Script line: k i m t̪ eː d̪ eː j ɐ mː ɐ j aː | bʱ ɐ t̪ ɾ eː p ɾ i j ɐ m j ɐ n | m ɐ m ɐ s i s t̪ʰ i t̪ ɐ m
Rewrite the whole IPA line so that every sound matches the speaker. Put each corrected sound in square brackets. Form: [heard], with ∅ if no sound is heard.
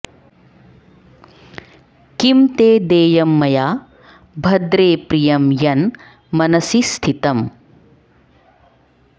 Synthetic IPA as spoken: k i m t̪ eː d̪ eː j ɐ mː ɐ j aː | bʱ ɐ [d̪] ɾ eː p ɾ i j ɐ m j ɐ n | m ɐ [n] ɐ s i s t̪ʰ i t̪ ɐ m